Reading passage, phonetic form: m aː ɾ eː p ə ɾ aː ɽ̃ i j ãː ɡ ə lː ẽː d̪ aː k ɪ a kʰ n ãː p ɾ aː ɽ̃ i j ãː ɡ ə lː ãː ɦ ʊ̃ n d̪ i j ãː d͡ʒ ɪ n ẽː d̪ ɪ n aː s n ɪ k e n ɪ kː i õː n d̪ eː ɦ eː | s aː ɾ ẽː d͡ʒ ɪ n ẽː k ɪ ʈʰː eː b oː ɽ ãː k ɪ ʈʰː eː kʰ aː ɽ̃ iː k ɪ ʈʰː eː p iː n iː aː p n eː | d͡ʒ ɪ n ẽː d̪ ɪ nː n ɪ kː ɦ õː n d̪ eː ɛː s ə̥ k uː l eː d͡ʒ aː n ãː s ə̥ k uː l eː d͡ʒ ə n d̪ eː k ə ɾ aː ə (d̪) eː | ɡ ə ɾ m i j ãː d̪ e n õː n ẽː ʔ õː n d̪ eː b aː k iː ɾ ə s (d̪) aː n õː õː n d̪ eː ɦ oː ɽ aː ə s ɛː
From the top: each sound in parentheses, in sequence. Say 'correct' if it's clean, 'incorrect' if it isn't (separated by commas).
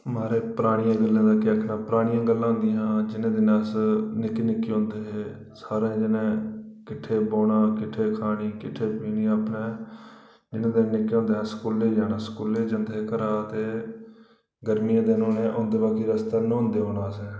incorrect, incorrect